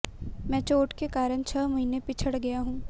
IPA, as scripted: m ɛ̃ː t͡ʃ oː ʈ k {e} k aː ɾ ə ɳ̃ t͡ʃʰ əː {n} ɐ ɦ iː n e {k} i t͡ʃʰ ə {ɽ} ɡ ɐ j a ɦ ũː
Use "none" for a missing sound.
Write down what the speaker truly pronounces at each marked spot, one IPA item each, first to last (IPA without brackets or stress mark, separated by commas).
e, m, p, ɽ